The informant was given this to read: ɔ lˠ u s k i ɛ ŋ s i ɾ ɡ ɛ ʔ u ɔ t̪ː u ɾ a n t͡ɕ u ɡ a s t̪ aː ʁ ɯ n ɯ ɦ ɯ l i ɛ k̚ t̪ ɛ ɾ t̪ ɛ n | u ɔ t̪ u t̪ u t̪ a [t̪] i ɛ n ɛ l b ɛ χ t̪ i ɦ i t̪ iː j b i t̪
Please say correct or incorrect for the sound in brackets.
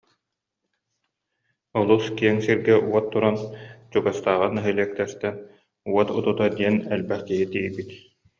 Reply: incorrect